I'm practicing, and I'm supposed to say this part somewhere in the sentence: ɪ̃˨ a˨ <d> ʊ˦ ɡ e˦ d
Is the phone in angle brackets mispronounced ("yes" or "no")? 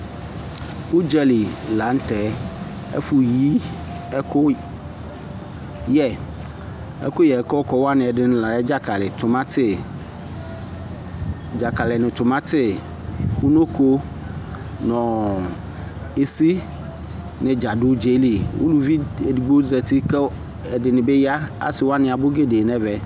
yes